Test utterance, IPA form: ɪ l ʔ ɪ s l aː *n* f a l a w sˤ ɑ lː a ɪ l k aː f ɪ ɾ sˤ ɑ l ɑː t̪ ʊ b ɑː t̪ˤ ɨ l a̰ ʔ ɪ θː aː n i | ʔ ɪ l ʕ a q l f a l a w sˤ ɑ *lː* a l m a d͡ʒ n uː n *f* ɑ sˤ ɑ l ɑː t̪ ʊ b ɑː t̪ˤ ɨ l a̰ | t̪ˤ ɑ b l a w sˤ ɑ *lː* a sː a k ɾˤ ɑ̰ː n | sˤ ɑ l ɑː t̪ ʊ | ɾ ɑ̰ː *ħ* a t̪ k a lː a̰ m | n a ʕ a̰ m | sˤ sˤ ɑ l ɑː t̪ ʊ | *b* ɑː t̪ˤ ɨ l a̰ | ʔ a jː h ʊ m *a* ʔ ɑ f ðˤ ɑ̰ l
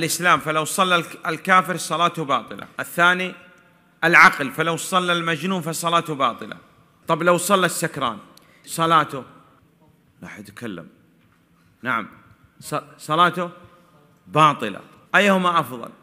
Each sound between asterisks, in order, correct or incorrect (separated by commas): incorrect, correct, correct, correct, correct, correct, correct